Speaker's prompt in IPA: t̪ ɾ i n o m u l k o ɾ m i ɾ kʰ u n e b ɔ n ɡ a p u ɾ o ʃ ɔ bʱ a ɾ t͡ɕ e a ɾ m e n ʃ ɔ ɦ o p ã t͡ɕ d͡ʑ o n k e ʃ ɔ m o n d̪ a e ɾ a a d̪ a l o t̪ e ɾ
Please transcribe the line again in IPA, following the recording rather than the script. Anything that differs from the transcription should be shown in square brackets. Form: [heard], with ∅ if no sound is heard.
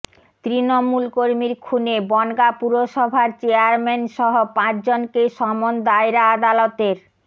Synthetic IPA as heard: t̪ ɾ i n o m u l k o ɾ m i ɾ kʰ u n e b ɔ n ɡ a p u ɾ o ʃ ɔ bʱ a ɾ t͡ɕ e a ɾ m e n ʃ ɔ ɦ o p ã t͡ɕ d͡ʑ o n k e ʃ ɔ m o n d̪ a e ɾ a a d̪ a l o t̪ e ɾ

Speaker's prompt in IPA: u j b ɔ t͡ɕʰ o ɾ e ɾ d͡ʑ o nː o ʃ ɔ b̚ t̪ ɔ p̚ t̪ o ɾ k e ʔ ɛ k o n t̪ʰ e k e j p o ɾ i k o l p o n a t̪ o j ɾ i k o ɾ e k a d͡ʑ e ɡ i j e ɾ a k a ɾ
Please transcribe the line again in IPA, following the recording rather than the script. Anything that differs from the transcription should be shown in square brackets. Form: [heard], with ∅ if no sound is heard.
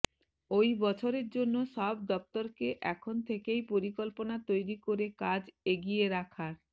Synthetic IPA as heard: [o] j b ɔ t͡ɕʰ o ɾ e ɾ d͡ʑ o nː o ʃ ɔ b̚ [d̪] ɔ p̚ t̪ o ɾ k e ʔ ɛ [kʰ] o n t̪ʰ e k e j p o ɾ i k o l p o n a t̪ o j ɾ i k o ɾ e k a d͡ʑ e ɡ i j e ɾ a [kʰ] a ɾ

